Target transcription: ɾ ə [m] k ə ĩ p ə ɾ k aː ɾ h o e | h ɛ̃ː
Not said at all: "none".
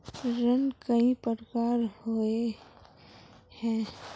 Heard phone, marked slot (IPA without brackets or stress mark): n